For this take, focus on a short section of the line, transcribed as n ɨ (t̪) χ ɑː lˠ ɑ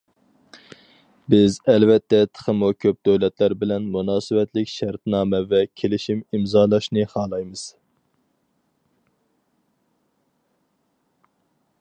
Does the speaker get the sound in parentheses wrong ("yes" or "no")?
yes